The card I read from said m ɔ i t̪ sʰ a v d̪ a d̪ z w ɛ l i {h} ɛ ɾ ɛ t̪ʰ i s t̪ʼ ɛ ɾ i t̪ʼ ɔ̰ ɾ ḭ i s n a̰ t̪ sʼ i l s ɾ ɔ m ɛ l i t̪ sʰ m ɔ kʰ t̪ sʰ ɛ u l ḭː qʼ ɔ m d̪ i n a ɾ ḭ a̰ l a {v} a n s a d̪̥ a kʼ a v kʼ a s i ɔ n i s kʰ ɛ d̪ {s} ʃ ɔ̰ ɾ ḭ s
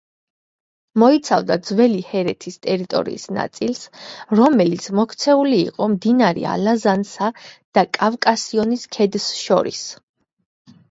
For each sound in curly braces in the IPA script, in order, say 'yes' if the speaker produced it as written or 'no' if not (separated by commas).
yes, no, yes